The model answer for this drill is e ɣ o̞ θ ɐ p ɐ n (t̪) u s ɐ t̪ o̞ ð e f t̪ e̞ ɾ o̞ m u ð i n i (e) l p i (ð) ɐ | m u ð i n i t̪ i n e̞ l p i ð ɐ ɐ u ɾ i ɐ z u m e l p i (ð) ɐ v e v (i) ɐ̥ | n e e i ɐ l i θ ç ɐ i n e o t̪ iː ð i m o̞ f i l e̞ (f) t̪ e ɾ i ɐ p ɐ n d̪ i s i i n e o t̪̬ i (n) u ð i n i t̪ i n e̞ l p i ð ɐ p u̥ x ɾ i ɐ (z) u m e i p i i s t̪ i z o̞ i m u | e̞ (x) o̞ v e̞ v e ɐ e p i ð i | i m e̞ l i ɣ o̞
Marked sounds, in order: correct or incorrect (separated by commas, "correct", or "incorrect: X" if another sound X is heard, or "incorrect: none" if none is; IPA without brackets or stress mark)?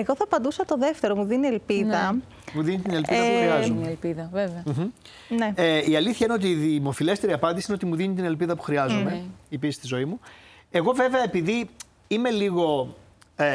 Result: incorrect: d̪, correct, correct, correct, incorrect: e, incorrect: s, incorrect: m, correct, incorrect: ɣ